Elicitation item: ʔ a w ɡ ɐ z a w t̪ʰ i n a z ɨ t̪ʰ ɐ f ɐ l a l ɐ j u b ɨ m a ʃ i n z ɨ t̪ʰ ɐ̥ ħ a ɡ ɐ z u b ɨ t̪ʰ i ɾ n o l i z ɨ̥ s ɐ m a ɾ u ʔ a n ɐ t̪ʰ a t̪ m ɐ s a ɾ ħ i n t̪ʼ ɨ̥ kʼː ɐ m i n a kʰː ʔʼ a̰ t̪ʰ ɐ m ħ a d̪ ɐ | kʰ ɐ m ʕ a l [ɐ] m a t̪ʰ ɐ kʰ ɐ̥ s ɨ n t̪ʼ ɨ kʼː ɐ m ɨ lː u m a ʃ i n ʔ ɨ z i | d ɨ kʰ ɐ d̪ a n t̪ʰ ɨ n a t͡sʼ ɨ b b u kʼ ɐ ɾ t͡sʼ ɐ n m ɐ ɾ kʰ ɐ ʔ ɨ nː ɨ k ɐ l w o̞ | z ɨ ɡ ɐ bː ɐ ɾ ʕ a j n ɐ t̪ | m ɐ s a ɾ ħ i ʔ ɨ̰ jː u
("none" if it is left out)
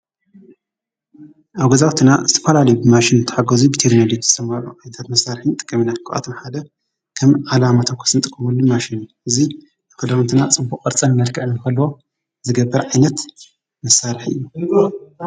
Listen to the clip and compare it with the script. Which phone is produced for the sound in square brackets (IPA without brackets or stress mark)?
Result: a